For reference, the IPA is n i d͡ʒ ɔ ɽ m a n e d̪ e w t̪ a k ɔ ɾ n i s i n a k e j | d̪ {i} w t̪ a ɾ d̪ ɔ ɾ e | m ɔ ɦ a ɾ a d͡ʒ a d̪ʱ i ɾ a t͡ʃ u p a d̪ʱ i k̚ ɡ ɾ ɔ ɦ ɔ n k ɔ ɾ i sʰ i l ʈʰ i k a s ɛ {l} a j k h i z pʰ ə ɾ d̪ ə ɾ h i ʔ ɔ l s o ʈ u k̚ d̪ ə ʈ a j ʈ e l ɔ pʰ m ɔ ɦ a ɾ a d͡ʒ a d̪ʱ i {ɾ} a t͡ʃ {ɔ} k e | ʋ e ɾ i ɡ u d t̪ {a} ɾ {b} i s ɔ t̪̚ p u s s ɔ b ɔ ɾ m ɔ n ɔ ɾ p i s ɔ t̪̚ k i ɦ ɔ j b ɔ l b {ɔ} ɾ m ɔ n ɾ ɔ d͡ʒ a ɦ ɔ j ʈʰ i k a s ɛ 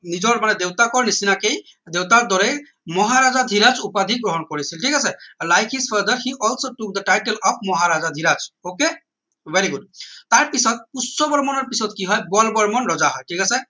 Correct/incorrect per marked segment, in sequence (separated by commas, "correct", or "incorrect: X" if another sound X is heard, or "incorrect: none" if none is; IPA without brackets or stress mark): incorrect: e, correct, correct, incorrect: o, correct, incorrect: p, correct